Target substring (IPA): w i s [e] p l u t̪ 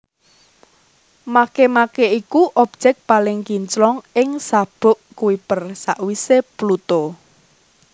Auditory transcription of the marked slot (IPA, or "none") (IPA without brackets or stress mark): e